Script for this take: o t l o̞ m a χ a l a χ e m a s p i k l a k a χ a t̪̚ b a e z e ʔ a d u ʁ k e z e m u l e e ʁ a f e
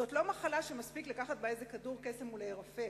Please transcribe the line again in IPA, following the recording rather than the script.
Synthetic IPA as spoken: o t l o̞ m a χ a l a ʃ e m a s p i k l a k a χ a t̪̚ b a e z e k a d u ʁ k e s e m u l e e ʁ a f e